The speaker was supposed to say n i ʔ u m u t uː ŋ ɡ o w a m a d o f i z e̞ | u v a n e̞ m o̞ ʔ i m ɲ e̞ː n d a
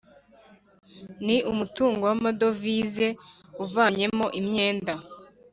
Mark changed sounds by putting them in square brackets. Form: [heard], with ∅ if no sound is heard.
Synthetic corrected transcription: n i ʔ u m u t uː ŋ ɡ o w a m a d o [v] i z e̞ | u v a [ɲ] e̞ m o̞ ʔ i m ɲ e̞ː n d a